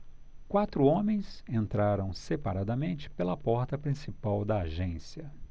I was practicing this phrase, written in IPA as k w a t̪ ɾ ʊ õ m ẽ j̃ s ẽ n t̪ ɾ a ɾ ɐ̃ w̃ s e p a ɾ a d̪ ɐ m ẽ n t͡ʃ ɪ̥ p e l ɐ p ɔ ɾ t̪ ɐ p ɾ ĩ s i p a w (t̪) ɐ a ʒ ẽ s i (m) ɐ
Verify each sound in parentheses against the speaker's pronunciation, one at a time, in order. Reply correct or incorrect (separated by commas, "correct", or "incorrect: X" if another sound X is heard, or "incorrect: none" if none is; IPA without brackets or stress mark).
incorrect: d̪, incorrect: none